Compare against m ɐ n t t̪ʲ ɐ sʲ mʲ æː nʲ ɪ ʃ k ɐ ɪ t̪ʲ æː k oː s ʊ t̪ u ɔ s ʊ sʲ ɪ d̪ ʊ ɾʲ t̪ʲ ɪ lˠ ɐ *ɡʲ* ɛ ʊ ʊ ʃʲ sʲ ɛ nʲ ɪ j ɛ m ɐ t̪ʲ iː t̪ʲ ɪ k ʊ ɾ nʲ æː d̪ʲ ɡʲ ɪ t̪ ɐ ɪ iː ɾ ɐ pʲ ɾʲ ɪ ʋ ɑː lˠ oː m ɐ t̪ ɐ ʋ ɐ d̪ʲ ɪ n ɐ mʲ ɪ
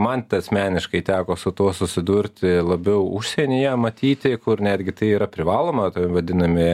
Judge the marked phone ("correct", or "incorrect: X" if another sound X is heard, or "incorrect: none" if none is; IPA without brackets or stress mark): incorrect: bʲ